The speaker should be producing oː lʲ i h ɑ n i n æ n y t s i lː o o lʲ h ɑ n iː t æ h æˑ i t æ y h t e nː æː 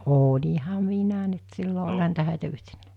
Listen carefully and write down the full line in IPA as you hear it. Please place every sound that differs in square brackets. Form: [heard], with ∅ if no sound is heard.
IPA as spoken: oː lʲ i h ɑ [m] i n æ n y t s i lː o o lʲ h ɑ n iː t æ h æˑ i t æ y h t e nː æː